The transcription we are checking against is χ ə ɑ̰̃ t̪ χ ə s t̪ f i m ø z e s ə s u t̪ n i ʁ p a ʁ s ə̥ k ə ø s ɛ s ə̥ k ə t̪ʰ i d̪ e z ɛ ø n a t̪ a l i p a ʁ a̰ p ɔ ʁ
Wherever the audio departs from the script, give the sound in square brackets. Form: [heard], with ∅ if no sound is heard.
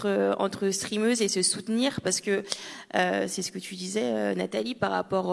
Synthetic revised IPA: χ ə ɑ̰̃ t̪ χ ə s t̪ [χ] i m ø z e s ə s u t̪ n i ʁ p a ʁ s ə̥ k ə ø s ɛ s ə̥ k ə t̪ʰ [y] d̪ [i] z ɛ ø n a t̪ a l i p a ʁ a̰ p ɔ ʁ